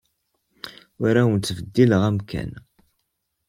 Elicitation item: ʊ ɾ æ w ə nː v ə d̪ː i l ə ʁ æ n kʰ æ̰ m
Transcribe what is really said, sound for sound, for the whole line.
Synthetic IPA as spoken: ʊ ɾ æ w ə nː v ə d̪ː i l ə ʁ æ m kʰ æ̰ n